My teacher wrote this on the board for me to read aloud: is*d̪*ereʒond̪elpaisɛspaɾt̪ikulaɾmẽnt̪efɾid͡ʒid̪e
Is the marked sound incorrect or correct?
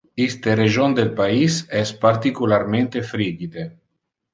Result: incorrect